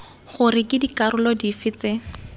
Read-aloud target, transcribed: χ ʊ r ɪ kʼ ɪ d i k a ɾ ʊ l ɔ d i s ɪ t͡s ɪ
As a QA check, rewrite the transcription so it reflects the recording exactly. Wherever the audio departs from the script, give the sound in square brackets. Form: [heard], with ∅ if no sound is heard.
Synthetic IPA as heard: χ ʊ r ɪ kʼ ɪ d i k a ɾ ʊ l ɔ d i [f] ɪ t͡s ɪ